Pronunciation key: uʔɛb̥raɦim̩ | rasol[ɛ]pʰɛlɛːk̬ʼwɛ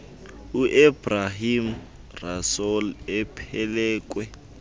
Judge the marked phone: correct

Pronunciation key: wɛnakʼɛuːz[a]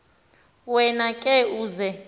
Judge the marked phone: incorrect: ɛ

